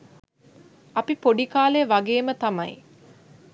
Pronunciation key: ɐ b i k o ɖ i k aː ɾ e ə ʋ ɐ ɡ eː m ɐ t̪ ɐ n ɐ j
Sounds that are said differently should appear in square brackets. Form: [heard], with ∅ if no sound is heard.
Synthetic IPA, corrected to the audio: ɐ [p] i [p] o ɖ i k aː [l] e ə ʋ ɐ ɡ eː m [ə] t̪ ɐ [m] ɐ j